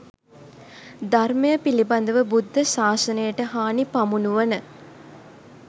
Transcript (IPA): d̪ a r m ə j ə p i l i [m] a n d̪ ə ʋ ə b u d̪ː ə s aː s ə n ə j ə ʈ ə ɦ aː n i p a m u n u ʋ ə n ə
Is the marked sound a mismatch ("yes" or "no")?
yes